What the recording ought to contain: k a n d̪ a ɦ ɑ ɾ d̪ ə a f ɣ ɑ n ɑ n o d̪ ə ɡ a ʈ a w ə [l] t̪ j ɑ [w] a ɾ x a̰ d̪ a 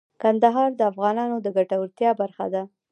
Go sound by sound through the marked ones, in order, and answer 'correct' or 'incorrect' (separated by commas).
incorrect, incorrect